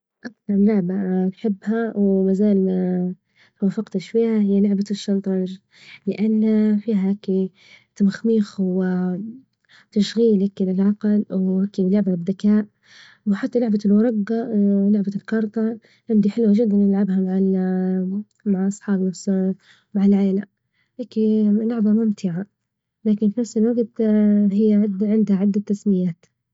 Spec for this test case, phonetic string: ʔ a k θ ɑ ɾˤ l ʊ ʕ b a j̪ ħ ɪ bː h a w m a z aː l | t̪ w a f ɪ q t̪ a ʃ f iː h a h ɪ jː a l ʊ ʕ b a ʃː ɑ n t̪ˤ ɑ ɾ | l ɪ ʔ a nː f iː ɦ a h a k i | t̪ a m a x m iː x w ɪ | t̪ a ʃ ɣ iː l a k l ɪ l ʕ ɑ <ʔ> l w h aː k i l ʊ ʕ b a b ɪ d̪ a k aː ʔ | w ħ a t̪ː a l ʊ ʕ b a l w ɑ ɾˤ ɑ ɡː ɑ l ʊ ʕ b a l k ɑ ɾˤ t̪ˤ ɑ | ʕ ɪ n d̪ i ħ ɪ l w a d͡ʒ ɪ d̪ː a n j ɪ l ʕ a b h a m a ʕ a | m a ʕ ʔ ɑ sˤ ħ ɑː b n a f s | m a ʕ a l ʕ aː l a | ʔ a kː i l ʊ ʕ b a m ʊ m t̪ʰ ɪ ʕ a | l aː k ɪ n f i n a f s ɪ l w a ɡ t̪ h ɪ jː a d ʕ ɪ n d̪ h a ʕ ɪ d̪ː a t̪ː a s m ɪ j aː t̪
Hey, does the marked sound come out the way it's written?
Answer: no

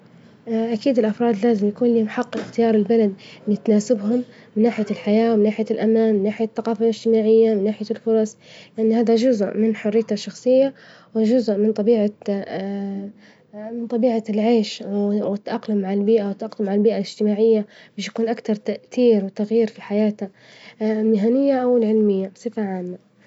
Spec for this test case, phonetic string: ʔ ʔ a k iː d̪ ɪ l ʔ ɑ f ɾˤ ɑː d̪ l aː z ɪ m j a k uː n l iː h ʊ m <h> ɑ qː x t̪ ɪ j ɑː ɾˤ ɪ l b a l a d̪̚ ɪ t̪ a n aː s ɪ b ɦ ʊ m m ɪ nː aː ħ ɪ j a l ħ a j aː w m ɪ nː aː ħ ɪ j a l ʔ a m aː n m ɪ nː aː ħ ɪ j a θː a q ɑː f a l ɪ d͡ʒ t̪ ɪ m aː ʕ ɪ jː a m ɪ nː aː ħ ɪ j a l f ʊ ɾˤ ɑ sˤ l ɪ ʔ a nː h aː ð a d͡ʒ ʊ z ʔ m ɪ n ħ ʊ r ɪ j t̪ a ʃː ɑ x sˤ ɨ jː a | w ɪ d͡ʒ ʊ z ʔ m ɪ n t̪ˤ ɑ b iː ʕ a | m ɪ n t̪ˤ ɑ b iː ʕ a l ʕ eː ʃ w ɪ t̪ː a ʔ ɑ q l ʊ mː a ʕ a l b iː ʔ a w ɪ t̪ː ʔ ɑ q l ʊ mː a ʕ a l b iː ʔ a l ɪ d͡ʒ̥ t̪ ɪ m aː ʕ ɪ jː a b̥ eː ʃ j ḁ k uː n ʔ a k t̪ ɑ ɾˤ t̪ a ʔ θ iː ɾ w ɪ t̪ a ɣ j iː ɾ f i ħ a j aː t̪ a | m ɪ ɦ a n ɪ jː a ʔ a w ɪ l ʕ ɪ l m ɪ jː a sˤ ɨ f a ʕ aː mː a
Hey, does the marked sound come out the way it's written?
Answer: no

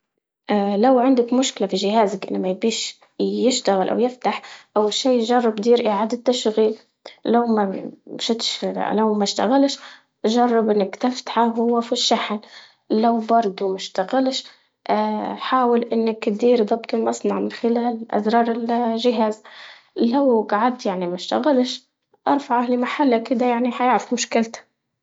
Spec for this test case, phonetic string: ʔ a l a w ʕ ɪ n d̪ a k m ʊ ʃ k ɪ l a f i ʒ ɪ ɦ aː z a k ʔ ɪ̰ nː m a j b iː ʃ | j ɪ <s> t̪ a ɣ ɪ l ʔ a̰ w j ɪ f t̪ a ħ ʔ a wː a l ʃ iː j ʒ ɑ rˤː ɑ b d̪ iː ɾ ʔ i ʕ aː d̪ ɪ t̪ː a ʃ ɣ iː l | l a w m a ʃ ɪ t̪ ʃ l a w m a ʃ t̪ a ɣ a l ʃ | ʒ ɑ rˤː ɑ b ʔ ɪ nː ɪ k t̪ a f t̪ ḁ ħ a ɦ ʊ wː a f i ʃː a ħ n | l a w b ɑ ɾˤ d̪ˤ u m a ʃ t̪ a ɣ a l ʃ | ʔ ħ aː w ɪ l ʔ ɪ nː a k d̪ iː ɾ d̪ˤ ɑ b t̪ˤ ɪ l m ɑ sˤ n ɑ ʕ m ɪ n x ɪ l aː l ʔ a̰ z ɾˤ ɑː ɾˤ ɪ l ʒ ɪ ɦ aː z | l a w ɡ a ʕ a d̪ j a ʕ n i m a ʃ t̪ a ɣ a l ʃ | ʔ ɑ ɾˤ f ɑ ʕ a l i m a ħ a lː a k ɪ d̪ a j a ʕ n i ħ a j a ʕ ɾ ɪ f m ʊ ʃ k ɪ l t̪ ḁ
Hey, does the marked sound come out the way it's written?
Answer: no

